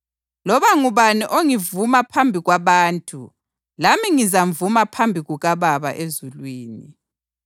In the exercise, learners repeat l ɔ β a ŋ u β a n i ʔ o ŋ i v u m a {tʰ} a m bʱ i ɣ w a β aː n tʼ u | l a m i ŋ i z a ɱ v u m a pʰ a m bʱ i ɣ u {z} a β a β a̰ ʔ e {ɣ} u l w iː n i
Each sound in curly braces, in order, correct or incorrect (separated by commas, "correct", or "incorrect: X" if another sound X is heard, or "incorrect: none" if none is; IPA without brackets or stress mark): incorrect: pʰ, incorrect: ɣ, incorrect: z